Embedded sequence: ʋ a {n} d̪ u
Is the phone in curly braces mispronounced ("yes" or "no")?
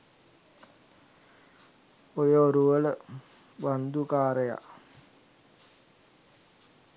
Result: no